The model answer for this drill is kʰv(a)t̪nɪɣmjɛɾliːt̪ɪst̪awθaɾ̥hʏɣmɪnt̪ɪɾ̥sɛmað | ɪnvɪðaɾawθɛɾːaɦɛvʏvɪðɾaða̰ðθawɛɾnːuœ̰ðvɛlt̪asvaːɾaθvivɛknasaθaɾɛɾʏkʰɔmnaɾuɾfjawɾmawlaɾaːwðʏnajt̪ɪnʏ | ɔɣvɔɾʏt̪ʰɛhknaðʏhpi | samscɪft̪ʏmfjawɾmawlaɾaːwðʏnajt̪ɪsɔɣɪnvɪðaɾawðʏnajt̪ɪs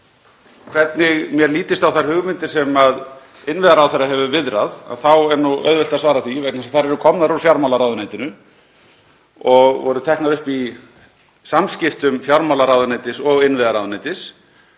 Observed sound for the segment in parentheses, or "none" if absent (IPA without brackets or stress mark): ɛ